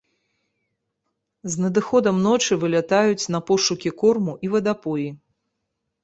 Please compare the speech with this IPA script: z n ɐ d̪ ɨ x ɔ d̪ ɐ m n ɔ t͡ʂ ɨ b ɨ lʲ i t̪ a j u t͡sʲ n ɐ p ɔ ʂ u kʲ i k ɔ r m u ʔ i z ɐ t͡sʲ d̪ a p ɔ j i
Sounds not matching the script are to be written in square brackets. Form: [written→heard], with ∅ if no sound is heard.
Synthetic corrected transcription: z n ɐ d̪ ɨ x ɔ d̪ ɐ m n ɔ t͡ʂ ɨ [b→v] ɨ lʲ [i→a] t̪ a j u t͡sʲ n ɐ p ɔ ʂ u kʲ i k ɔ r m u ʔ i [z→v] ɐ [t͡sʲ→∅] d̪ a p ɔ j i

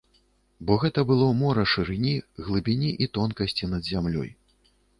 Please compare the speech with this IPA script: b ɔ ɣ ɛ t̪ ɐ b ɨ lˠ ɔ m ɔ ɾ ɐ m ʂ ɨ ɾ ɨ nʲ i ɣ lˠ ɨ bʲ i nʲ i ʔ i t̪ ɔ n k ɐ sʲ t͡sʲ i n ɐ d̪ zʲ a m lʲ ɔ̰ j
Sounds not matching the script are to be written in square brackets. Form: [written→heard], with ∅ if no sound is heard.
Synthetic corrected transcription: b ɔ ɣ ɛ t̪ ɐ b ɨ lˠ ɔ m ɔ ɾ ɐ [m→∅] ʂ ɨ ɾ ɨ nʲ i ɣ lˠ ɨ bʲ i nʲ i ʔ i t̪ ɔ n k ɐ sʲ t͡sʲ i n ɐ d̪ zʲ a m lʲ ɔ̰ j

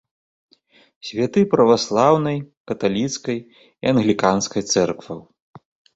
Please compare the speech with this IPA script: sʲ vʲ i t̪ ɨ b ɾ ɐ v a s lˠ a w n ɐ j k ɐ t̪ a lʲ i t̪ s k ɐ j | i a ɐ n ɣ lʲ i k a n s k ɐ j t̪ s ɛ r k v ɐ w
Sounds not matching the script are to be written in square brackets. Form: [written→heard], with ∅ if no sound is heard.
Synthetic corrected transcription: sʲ vʲ [i→a] t̪ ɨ [b→p] ɾ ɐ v a s lˠ a w n ɐ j k ɐ t̪ a lʲ i t̪ s k ɐ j | i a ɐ n ɣ lʲ i k a n s k ɐ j t̪ s ɛ r k v ɐ w

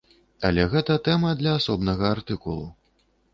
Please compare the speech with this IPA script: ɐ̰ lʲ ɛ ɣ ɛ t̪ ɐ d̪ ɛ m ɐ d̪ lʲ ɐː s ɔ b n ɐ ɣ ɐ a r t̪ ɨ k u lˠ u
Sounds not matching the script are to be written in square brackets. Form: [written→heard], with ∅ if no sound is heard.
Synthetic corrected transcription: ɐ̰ lʲ ɛ ɣ ɛ t̪ ɐ [d̪→t̪] ɛ m ɐ d̪ lʲ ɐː s ɔ b n ɐ ɣ ɐ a r t̪ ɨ k u lˠ u

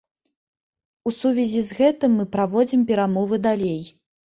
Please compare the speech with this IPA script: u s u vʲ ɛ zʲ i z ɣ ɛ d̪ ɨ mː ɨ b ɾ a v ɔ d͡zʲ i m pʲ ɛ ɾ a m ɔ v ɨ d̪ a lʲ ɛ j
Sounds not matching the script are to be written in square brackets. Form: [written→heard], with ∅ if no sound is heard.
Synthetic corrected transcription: u s u vʲ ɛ zʲ i z ɣ ɛ [d̪→t̪] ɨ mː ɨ [b→p] ɾ a v ɔ d͡zʲ i m pʲ ɛ ɾ a m ɔ v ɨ d̪ a lʲ [ɛ→e] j

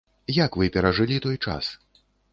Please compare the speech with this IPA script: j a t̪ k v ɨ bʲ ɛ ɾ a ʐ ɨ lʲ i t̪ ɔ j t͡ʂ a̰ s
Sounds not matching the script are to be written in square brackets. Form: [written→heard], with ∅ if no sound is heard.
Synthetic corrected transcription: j a [t̪→∅] k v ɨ [bʲ→pʲ] ɛ ɾ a ʐ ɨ lʲ i t̪ ɔ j t͡ʂ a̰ s

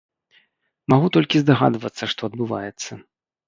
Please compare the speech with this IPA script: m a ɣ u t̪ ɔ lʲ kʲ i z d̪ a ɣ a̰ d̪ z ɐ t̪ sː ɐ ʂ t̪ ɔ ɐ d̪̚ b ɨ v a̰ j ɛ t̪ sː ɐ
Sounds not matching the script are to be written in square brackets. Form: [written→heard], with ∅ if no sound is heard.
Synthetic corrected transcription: m a ɣ u t̪ ɔ lʲ kʲ i z d̪ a ɣ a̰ d̪ [z→v] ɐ t̪ sː ɐ ʂ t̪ ɔ ɐ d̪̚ b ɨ v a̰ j ɛ t̪ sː ɐ

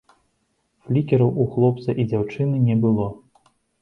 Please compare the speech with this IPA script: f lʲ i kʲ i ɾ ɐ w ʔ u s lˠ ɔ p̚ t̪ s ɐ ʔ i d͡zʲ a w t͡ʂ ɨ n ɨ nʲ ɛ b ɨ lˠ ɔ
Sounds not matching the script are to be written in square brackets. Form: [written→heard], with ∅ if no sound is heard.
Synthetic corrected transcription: f lʲ i kʲ [i→ɛ] ɾ ɐ w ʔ u [s→x] lˠ ɔ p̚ t̪ s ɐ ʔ i d͡zʲ a w t͡ʂ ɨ n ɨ nʲ ɛ b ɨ lˠ ɔ

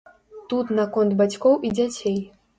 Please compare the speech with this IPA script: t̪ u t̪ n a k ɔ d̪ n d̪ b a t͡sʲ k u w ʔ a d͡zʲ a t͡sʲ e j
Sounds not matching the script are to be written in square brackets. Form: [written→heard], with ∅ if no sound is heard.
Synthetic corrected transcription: t̪ u t̪ n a k ɔ [d̪→∅] n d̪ b a t͡sʲ k [u→ɔ] w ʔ [a→i] d͡zʲ a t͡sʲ e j

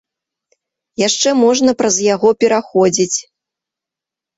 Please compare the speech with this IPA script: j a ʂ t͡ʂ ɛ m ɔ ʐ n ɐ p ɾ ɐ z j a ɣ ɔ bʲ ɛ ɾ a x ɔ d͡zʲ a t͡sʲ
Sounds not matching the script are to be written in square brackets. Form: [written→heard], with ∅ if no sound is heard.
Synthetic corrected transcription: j a ʂ t͡ʂ ɛ m ɔ ʐ n ɐ p ɾ ɐ z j a ɣ ɔ [bʲ→pʲ] ɛ ɾ a x ɔ d͡zʲ [a→i] t͡sʲ

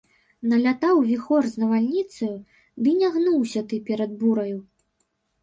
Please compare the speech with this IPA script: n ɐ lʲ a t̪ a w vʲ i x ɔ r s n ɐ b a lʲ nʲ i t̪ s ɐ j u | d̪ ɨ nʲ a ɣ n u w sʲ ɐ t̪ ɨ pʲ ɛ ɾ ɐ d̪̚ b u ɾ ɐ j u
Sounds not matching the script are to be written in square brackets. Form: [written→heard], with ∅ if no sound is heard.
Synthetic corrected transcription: n ɐ lʲ a t̪ a w vʲ i x ɔ r [s→z] n ɐ [b→v] a lʲ nʲ i t̪ s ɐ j u | d̪ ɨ nʲ a ɣ n u w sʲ ɐ t̪ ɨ pʲ ɛ ɾ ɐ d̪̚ b u ɾ ɐ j u

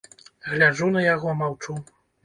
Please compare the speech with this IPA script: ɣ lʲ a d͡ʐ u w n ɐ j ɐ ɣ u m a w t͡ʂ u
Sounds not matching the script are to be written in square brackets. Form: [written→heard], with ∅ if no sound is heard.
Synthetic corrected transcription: ɣ lʲ a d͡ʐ u [w→∅] n ɐ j [ɐ→a] ɣ [u→ɔ] m a w t͡ʂ u

